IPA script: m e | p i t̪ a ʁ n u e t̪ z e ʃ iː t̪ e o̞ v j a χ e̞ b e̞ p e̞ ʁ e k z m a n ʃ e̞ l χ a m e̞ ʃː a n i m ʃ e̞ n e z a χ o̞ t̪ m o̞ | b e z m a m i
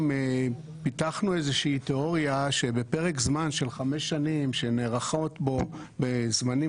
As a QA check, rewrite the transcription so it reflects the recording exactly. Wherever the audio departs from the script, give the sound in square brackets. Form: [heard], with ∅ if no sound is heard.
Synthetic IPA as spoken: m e | p i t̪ a [χ] n u e [∅] z e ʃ iː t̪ e o̞ [ʁ] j a [ʃ] e̞ b e̞ p e̞ ʁ e k z m a n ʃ e̞ l χ a m e̞ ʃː a n i m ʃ e̞ n e [ʁ] a χ o̞ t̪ [b] o̞ | b e z m a [n] i